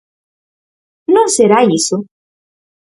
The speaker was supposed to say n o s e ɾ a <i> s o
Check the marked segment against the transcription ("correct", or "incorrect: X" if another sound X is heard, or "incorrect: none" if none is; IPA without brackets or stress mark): correct